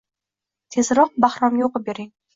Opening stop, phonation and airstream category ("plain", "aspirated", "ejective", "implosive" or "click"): aspirated